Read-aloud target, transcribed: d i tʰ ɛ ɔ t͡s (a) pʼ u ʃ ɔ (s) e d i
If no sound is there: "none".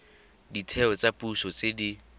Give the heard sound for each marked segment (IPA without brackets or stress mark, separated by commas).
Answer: a, t͡s